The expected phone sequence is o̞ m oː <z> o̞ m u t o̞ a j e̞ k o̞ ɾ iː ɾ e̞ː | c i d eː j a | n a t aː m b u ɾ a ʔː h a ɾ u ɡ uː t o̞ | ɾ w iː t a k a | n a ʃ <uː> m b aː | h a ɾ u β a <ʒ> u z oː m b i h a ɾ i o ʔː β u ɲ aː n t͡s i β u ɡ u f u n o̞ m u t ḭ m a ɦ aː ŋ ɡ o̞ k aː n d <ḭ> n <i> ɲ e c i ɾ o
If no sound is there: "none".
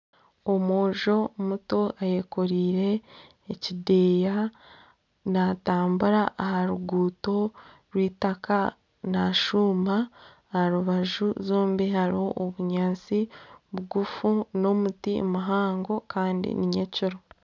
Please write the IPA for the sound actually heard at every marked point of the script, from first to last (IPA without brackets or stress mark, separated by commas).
ʒ, uː, ʒ, ḭ, i